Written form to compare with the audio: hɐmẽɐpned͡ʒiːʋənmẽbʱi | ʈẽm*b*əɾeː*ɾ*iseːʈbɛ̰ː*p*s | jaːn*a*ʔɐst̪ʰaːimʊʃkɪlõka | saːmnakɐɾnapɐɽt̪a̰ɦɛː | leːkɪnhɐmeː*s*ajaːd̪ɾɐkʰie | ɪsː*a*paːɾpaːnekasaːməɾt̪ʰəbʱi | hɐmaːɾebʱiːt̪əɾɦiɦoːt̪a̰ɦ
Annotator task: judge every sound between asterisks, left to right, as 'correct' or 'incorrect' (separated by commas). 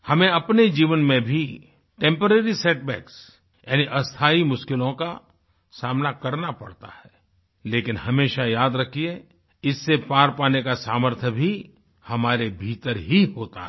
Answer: incorrect, correct, incorrect, incorrect, incorrect, incorrect